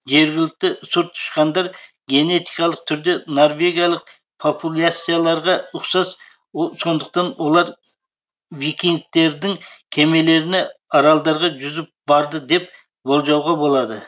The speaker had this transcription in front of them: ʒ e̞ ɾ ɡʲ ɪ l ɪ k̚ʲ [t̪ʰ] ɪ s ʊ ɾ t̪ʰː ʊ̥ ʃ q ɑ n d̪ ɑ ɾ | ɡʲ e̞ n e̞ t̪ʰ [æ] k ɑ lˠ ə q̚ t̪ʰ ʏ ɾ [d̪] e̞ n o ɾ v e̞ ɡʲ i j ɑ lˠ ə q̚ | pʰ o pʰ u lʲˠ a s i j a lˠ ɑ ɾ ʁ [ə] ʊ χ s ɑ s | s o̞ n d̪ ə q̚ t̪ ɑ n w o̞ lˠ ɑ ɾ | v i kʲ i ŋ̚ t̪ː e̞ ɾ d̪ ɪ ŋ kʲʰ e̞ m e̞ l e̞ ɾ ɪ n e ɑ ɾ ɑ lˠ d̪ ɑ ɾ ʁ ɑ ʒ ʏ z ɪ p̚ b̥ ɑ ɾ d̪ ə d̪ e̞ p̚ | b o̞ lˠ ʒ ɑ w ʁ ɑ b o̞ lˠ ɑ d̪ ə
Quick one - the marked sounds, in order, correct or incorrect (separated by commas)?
incorrect, incorrect, correct, incorrect